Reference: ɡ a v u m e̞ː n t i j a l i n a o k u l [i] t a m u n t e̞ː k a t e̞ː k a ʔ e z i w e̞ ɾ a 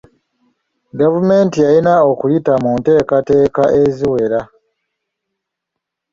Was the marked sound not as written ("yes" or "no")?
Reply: no